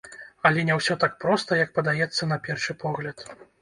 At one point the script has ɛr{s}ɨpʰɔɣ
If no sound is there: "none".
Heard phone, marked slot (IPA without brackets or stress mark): ʂ